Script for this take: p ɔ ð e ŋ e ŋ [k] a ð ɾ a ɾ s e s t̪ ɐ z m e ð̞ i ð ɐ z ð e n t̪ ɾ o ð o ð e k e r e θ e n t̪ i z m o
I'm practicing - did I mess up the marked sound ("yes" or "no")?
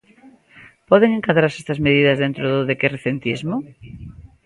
no